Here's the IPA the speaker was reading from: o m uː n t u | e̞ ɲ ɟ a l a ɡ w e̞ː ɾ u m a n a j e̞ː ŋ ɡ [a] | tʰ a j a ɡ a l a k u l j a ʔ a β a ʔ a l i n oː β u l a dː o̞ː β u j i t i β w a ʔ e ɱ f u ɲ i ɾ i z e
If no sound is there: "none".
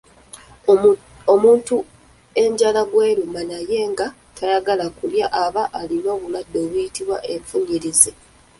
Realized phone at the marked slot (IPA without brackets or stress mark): a